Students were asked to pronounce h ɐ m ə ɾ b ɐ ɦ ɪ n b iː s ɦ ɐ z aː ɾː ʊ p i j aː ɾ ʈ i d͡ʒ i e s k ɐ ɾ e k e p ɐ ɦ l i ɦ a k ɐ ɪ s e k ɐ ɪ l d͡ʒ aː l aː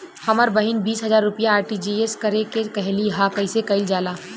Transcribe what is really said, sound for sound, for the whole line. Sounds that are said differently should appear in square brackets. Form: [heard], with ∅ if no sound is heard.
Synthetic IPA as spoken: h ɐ m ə ɾ b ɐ ɦ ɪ n b iː s ɦ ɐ z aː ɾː ʊ p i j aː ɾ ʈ i d͡ʒ i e s k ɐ ɾ e k e [k] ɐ ɦ l i ɦ a k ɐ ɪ s e k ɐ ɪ l d͡ʒ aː l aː